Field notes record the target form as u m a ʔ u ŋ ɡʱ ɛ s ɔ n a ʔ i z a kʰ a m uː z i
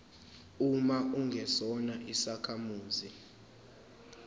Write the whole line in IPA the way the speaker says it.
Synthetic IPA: u m a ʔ u ŋ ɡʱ ɛ s ɔ n a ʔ i s a kʰ a m uː z i